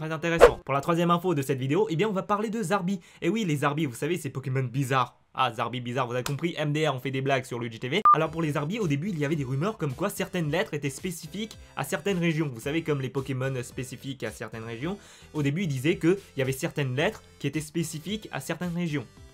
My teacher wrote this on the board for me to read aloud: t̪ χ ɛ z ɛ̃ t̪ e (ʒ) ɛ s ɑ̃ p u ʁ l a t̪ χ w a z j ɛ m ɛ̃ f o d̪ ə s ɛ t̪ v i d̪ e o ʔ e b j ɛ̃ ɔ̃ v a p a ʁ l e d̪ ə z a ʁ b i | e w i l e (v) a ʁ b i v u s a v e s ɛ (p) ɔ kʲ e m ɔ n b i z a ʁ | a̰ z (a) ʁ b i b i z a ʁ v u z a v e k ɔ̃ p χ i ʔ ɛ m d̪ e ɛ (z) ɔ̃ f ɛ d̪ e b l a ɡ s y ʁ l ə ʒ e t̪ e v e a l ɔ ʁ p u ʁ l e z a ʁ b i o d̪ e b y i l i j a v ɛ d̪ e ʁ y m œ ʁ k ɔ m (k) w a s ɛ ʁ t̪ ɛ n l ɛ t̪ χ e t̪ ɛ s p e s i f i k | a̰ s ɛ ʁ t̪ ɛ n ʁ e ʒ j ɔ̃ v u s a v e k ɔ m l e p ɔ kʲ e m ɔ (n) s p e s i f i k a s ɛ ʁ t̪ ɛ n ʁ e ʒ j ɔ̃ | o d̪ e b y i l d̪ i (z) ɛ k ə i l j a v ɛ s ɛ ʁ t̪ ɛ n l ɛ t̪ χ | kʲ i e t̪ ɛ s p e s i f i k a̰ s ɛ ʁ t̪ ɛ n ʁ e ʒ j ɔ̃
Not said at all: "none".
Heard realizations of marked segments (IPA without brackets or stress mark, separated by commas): ʁ, z, p, a, ʁ, k, n, z